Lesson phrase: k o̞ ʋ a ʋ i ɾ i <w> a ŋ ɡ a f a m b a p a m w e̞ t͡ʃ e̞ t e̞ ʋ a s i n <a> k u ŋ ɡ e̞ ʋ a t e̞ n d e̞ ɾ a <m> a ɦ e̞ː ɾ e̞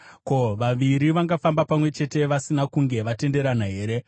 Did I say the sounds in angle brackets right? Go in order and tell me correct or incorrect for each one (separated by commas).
incorrect, correct, incorrect